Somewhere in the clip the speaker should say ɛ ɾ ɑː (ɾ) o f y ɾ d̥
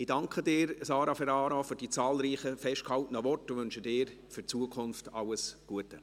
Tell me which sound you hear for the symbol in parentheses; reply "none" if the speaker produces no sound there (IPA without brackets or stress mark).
ɾ